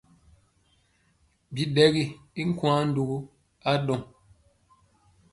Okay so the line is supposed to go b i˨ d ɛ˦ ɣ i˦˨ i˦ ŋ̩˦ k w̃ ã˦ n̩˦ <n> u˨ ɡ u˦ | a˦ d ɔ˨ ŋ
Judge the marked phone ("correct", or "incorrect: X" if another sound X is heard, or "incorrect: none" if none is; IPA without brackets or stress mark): incorrect: d